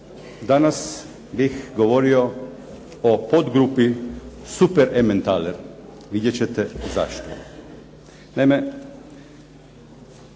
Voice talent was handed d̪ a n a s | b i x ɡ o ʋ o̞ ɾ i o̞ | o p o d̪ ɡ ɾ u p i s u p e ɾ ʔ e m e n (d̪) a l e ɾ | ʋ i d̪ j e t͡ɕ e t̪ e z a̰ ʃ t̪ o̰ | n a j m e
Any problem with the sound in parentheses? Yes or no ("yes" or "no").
yes